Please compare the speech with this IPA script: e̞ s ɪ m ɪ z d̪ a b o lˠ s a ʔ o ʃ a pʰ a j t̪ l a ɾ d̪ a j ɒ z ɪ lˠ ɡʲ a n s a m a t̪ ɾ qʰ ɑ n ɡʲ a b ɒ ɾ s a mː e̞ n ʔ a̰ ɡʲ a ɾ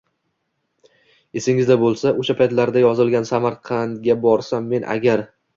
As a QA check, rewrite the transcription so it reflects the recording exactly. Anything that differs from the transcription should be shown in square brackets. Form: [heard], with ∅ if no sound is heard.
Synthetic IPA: e̞ s ɪ [ŋ] ɪ z d̪ a b o lˠ s a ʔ o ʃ a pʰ a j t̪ l a ɾ d̪ a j ɒ z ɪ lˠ ɡʲ a n s a m a [∅] ɾ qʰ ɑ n ɡʲ a b ɒ ɾ s a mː e̞ n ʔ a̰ ɡʲ a ɾ